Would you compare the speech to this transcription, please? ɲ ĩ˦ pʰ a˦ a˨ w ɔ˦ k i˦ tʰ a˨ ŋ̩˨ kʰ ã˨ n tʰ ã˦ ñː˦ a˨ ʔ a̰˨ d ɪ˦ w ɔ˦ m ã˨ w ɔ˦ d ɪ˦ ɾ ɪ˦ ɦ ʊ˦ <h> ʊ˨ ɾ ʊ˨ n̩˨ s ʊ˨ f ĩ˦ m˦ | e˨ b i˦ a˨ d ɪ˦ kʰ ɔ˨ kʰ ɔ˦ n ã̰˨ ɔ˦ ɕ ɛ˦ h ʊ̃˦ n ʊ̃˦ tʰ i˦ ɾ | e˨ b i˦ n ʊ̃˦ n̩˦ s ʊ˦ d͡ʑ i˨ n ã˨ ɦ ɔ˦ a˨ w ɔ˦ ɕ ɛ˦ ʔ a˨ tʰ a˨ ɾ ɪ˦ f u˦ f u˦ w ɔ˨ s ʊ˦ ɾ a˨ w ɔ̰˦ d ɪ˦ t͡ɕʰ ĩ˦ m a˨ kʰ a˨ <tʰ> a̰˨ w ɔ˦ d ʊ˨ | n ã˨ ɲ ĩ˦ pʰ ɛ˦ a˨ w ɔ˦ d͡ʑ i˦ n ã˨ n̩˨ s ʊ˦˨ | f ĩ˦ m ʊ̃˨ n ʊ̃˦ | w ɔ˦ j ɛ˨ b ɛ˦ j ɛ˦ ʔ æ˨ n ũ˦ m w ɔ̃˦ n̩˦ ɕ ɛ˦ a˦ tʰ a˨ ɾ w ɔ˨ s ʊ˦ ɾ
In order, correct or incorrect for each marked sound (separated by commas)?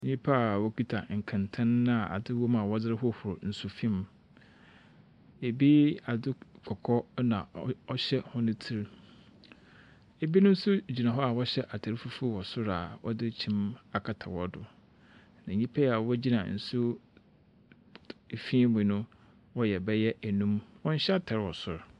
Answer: correct, correct